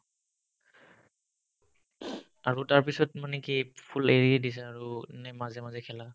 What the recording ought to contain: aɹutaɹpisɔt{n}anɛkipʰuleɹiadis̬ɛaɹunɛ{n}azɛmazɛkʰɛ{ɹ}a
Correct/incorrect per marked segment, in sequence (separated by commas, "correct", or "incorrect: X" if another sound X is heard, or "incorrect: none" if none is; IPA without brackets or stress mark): incorrect: m, incorrect: m, incorrect: l